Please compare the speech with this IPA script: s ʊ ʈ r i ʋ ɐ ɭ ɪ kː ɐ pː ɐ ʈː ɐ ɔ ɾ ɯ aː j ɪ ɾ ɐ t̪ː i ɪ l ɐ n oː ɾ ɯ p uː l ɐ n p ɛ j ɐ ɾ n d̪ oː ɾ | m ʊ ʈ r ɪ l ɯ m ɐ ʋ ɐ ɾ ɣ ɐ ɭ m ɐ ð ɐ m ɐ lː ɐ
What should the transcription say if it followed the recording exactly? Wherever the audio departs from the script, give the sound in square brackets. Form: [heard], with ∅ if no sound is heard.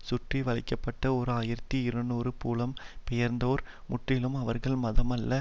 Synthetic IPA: s ʊ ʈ r i ʋ ɐ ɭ ɪ kː ɐ pː ɐ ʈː ɐ ɔ ɾ ɯ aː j ɪ ɾ ɐ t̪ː i ɪ [ɾ] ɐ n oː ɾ ɯ p uː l ɐ [m] p ɛ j ɐ ɾ n d̪ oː ɾ | m ʊ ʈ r ɪ l ɯ m ɐ ʋ ɐ ɾ ɣ ɐ ɭ m ɐ ð ɐ m ɐ lː ɐ